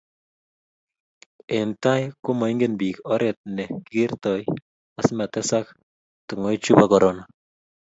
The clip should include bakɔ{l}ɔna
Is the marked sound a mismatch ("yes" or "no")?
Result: yes